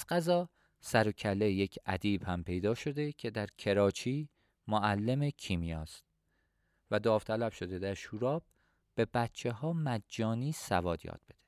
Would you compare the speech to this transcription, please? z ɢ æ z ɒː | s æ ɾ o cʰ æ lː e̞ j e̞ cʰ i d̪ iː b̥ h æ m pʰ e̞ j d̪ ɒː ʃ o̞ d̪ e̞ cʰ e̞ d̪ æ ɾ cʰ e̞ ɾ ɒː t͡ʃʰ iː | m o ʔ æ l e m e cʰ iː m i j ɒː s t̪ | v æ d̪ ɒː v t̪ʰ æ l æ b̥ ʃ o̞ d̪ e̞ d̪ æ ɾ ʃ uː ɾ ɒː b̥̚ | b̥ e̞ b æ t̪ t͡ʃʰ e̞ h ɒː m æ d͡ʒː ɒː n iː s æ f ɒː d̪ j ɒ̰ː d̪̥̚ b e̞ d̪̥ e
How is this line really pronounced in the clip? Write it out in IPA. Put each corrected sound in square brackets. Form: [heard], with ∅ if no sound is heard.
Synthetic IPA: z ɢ æ z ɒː | s æ ɾ o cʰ æ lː e̞ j e̞ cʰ [æ] d̪ iː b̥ h æ m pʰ e̞ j d̪ ɒː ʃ o̞ d̪ e̞ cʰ e̞ d̪ æ ɾ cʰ e̞ ɾ ɒː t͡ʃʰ iː | m o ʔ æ [lː] e m e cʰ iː m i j ɒː s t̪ | v æ d̪ ɒː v t̪ʰ æ l æ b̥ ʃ o̞ d̪ e̞ d̪ æ ɾ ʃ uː ɾ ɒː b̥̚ | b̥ e̞ b æ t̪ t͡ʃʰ e̞ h ɒː m æ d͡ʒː ɒː n iː s æ [v] ɒː d̪ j ɒ̰ː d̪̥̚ b e̞ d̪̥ e